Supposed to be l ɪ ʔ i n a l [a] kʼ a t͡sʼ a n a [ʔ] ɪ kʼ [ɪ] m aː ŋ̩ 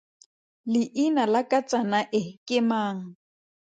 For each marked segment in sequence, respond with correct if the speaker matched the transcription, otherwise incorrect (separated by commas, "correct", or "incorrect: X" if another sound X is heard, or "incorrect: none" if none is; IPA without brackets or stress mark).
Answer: correct, correct, correct